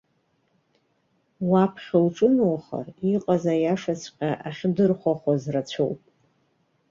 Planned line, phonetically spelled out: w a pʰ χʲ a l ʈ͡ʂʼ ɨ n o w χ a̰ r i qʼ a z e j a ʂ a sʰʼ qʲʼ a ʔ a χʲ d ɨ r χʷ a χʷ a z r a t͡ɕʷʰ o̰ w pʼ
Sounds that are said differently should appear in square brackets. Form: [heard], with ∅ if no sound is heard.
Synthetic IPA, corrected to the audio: w a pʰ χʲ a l ʈ͡ʂʼ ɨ n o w χ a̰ r i qʼ a z [a] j a ʂ a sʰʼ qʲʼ a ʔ a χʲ d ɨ r χʷ a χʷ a z r a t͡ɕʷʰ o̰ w pʼ

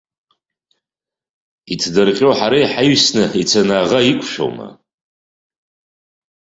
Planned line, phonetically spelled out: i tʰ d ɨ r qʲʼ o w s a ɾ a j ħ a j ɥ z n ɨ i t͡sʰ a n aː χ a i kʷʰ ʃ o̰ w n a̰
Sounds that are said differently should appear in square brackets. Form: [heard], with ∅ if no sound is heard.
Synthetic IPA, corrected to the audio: i tʰ d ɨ r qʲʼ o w [ħ] a ɾ a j ħ a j ɥ [s] n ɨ i t͡sʰ a n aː [ʁ] a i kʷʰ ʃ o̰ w [m] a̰

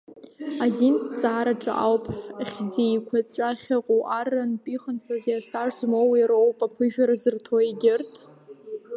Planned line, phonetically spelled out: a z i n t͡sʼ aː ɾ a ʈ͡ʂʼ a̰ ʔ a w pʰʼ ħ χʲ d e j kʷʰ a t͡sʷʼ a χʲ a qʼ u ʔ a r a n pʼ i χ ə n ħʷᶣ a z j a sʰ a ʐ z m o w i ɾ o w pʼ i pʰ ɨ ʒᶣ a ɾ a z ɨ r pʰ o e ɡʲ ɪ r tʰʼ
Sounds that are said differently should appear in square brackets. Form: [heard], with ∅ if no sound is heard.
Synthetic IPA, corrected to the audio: a z i n t͡sʼ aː ɾ a ʈ͡ʂʼ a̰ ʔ a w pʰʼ ħ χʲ [d͡z] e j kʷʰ a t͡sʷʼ a χʲ a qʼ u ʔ a r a n pʼ i χ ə n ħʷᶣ a z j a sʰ a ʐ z m o w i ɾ o w pʼ [a] pʰ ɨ ʒᶣ a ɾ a z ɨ r [tʰ] o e ɡʲ ɪ r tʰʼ

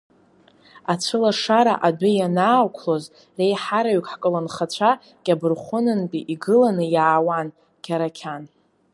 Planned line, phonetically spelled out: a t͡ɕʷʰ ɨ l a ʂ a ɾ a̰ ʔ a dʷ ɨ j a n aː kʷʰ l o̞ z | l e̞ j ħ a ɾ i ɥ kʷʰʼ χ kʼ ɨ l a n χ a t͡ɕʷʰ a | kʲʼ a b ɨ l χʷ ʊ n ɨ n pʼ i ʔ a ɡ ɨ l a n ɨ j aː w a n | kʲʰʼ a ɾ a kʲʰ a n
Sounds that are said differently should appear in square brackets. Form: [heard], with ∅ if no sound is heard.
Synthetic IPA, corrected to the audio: a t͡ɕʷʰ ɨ l a ʂ a ɾ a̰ ʔ a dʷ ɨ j a n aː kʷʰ l o̞ z | [r] e̞ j ħ a ɾ [a] ɥ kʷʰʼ [ħ] kʼ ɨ l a n χ a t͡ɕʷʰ a | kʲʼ a b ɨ [r] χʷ ʊ n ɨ n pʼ i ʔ [i] ɡ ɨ l a n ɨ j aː w a n | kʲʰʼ a ɾ a kʲʰ a n

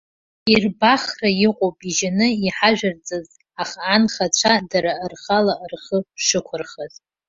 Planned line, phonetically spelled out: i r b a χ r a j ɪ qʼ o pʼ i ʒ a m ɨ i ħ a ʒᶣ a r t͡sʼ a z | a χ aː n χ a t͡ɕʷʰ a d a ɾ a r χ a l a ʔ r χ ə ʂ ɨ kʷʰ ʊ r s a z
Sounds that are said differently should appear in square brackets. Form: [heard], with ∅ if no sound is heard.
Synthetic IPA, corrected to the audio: i r b a χ r a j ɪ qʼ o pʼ i ʒ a [n] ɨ i ħ a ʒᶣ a r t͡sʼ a z | a χ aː n χ a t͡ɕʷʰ a d a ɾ a r χ a l a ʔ r χ ə ʂ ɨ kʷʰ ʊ r [χ] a z

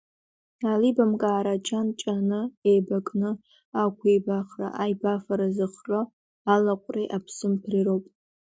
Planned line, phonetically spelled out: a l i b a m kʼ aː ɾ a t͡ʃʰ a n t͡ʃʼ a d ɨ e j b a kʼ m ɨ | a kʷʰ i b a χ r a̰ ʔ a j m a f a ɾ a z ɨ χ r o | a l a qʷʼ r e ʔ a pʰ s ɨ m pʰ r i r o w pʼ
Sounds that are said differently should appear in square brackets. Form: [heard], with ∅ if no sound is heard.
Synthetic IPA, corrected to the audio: a l i b a m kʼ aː ɾ a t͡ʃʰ a n t͡ʃʼ a [n] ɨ e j b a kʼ [n] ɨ | a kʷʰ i b a χ r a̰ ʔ a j [b] a f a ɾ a z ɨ χ r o | a l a qʷʼ r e ʔ a pʰ s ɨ m pʰ r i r o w pʼ

